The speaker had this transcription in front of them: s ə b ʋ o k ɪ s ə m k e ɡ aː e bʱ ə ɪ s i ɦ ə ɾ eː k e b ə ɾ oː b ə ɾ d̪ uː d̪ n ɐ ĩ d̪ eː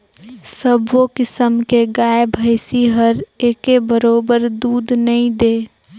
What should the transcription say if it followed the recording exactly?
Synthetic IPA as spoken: s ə b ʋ o k ɪ s ə m k e ɡ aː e bʱ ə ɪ s i ɦ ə ɾ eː k e b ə ɾ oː b ə ɾ d̪ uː d̪ n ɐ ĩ d̪ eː